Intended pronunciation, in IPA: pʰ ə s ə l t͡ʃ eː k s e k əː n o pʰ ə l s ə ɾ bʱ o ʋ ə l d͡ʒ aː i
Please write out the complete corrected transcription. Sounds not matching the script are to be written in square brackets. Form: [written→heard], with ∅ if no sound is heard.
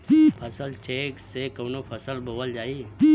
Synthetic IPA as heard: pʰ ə s ə l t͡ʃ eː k s e k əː n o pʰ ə [l→∅] s ə [ɾ→l] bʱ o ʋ ə l d͡ʒ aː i